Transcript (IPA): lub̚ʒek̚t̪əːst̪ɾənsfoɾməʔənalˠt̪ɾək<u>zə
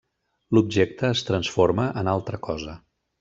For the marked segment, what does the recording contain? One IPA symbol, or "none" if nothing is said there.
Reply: ɔ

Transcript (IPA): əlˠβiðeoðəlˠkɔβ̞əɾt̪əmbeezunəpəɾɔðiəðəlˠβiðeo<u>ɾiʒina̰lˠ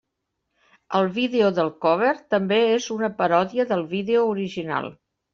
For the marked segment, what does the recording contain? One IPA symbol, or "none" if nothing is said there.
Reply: u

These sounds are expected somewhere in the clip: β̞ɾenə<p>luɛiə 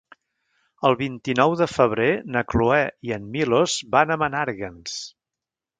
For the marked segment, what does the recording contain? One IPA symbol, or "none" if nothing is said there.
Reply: k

